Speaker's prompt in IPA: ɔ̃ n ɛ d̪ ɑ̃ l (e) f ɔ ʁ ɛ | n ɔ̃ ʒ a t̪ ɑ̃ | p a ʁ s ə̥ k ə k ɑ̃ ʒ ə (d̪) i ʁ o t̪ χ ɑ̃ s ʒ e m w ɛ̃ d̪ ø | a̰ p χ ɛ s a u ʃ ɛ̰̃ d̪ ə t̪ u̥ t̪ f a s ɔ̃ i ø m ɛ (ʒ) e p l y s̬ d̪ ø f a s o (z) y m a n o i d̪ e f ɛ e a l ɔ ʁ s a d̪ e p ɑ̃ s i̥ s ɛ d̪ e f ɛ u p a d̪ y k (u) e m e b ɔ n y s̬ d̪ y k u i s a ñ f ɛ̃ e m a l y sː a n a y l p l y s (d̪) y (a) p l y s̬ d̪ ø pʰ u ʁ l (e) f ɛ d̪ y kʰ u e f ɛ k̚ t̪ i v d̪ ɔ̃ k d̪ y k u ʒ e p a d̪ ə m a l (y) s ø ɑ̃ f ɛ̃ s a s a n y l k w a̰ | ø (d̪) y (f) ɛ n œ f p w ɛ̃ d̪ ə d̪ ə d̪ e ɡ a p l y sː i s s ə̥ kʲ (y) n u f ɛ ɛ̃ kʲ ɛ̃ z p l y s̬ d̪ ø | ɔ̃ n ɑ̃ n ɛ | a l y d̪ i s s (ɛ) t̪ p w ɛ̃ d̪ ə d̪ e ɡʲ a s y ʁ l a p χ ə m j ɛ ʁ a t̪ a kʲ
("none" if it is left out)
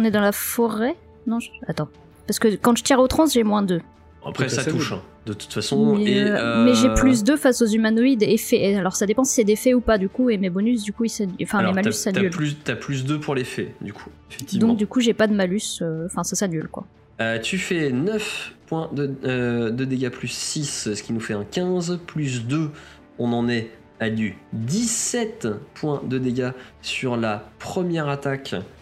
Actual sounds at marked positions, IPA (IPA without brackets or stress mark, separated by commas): a, t̪, ʒ, z, u, t̪, a, e, y, t̪, f, i, ɛ